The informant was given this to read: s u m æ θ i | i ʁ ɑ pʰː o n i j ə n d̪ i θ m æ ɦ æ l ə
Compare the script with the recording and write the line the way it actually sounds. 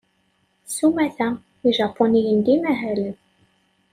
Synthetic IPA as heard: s u m æ θ æ | i ʒ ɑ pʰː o n i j ə n d̪ i m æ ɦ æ l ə

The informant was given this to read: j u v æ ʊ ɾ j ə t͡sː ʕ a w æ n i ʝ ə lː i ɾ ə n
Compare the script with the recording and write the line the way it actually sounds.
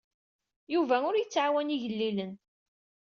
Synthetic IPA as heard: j u v æ ʊ ɾ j ə t͡sː ʕ a w æ n i ʝ ə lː i l ə n

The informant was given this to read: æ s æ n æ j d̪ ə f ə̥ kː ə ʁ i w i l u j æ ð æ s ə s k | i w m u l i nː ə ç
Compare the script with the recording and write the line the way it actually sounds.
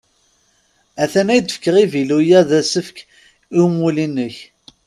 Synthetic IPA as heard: æ θ æ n æ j d̪ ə f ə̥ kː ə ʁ i v i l u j æ ð æ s ə f k | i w m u l i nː ə ç

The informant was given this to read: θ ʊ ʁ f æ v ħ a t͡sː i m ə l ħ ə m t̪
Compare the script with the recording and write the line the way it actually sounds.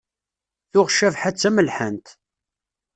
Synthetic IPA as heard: θ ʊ ʁ ʃ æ v ħ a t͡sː æ m ə l ħ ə n t̪

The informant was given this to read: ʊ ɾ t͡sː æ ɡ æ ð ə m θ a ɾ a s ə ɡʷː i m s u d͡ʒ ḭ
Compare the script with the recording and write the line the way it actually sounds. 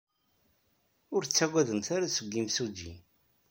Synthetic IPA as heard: ʊ ɾ t͡sː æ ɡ æ ð ə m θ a ɾ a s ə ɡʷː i m s u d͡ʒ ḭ

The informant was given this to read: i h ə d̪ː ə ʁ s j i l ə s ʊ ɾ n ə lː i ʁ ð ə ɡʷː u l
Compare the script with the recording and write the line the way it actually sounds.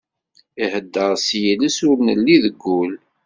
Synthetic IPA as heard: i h ə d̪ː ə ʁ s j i l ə s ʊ ɾ n ə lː i ð ə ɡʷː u l

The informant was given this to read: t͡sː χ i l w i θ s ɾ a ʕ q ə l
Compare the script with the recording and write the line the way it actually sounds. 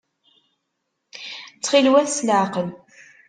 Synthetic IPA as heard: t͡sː χ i l w æ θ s l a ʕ q ə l

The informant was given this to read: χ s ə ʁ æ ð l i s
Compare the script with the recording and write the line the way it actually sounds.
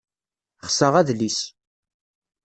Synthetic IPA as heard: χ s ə ʁ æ ð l i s

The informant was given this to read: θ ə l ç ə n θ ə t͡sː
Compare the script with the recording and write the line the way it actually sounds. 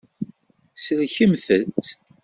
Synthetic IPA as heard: s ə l ç ə m θ ə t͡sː

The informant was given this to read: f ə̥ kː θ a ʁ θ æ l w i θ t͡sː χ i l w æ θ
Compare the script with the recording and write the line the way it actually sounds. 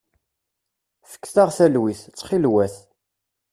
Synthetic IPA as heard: f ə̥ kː θ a ʁ θ æ l w i θ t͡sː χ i l w æ θ

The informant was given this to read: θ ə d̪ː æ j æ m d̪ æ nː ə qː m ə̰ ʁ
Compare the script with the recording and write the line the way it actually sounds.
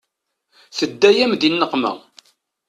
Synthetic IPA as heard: θ ə d̪ː æ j æ m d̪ i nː ə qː m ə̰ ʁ

